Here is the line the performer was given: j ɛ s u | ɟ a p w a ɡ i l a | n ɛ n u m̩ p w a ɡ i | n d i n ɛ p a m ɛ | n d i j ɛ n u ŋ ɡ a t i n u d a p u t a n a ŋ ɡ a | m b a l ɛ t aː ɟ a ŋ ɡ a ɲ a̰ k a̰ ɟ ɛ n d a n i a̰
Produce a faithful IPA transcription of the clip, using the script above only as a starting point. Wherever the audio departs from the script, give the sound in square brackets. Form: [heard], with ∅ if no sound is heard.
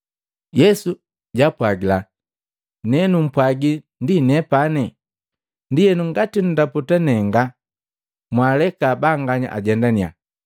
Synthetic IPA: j ɛ s u | ɟ a p w a ɡ i l a | n ɛ n u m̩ p w a ɡ i | n d i n ɛ p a [n] ɛ | n d i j ɛ n u ŋ ɡ a t i n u d a p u t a n [ɛ] ŋ ɡ a | m [w] a l ɛ [k] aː [b] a ŋ ɡ a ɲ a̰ [ʔ] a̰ ɟ ɛ n d a n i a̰

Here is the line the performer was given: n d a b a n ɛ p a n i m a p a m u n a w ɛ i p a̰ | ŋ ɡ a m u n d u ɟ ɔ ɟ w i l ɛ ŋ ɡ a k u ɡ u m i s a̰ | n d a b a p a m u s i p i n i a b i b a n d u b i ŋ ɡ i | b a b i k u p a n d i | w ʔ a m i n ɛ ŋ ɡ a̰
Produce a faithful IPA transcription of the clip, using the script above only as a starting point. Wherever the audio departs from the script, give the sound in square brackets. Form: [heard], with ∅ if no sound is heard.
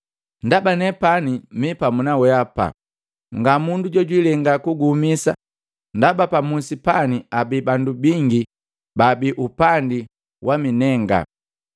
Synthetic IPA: n d a b a n ɛ p a n i m [i] p a m u n a w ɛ [a] p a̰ | ŋ ɡ a m u n d u ɟ ɔ ɟ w i l ɛ ŋ ɡ a k u ɡ u m i s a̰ | n d a b a p a m u s i p [a] n i a b i b a n d u b i ŋ ɡ i | b a b i [ʔ] u p a n d i | w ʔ a m i n ɛ ŋ ɡ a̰

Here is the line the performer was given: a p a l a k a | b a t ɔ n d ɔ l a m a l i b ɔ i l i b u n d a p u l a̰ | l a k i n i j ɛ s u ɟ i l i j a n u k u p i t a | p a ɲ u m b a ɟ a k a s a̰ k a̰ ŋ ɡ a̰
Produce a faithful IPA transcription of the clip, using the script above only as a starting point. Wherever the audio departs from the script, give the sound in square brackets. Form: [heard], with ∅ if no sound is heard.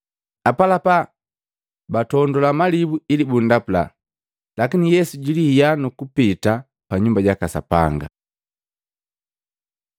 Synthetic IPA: a p a l a [p] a | b a t ɔ n d ɔ l a m a l i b [u] i l i b u n d a p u l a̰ | l a k i n i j ɛ s u ɟ i l i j a n u k u p i t a | p a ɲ u m b a ɟ a k a s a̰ [p] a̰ ŋ ɡ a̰

